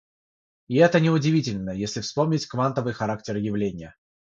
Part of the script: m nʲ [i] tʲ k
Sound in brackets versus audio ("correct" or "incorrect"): incorrect